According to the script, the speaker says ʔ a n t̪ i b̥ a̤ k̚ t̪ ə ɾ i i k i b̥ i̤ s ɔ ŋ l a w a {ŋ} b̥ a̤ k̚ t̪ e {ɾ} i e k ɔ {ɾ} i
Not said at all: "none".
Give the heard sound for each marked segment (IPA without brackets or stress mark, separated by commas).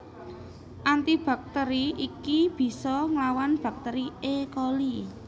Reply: n, ɾ, l